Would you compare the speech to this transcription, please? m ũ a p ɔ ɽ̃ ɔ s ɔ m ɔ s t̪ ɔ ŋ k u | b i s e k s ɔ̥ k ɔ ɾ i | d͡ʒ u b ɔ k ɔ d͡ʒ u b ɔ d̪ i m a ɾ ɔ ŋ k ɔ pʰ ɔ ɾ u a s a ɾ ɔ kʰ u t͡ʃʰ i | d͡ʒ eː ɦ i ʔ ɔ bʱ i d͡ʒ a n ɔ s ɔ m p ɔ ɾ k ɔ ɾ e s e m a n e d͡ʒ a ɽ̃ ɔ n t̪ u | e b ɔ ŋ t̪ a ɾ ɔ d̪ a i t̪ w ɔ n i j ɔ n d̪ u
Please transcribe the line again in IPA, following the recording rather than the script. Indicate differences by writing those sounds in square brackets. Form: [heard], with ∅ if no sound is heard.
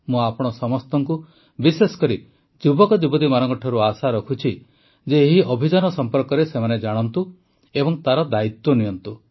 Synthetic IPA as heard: m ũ a p ɔ ɽ̃ ɔ s ɔ m ɔ s t̪ ɔ ŋ k u | b i s e [∅] s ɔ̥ k ɔ ɾ i | d͡ʒ u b ɔ k ɔ d͡ʒ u b ɔ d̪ i m a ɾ ɔ ŋ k ɔ [ʈʰ] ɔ ɾ u a s a ɾ ɔ kʰ u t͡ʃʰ i | d͡ʒ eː ɦ i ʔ ɔ bʱ i d͡ʒ a n ɔ s ɔ m p ɔ ɾ k ɔ ɾ e s e m a n e d͡ʒ a ɽ̃ ɔ n t̪ u | e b ɔ ŋ t̪ a ɾ ɔ d̪ a i t̪ w ɔ n i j ɔ n [t̪] u